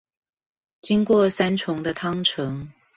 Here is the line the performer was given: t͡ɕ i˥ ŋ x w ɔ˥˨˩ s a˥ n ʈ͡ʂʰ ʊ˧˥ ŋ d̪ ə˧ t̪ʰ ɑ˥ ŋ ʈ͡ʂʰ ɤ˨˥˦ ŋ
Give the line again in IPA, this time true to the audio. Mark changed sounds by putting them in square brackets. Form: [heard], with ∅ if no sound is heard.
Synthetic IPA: t͡ɕ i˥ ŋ [k] w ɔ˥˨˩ s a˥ n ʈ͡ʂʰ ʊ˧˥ ŋ d̪ ə˧ t̪ʰ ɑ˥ ŋ ʈ͡ʂʰ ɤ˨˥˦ ŋ